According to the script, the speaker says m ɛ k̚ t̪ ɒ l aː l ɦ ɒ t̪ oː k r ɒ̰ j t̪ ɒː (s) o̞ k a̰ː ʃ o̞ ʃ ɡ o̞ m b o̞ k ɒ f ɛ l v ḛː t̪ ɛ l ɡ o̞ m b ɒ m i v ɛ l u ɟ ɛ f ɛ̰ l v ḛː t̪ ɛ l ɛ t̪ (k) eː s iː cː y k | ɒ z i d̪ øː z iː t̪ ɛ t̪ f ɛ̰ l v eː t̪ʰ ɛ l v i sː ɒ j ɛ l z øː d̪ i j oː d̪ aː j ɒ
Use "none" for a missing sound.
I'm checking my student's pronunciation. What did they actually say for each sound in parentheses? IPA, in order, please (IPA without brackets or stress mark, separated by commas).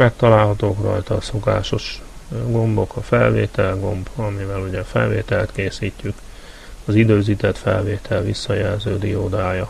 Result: s, k